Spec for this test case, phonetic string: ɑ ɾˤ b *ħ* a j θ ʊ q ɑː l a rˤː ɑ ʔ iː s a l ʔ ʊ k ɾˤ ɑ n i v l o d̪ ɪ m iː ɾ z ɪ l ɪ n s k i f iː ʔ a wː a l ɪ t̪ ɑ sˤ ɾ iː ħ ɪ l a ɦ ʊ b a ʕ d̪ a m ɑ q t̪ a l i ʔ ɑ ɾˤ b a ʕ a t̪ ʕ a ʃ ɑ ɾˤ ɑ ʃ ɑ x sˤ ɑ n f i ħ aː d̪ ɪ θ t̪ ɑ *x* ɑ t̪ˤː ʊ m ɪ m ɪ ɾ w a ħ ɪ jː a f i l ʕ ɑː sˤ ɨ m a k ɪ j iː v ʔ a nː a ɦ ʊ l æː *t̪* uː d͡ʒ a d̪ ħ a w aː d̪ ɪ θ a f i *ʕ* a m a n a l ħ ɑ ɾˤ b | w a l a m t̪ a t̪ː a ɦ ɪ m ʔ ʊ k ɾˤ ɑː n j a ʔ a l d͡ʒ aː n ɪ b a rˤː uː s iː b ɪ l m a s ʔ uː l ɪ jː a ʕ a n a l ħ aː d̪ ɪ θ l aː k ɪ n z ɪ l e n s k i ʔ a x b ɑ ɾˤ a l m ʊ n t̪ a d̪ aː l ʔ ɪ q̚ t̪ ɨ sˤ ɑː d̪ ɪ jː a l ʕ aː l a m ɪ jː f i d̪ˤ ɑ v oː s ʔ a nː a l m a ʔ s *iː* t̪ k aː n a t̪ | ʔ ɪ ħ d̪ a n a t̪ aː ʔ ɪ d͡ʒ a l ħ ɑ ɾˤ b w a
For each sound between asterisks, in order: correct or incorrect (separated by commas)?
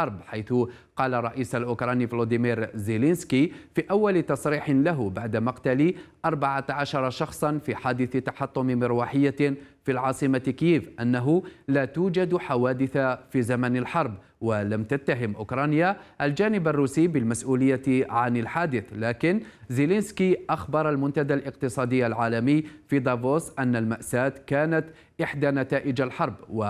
correct, incorrect, correct, incorrect, incorrect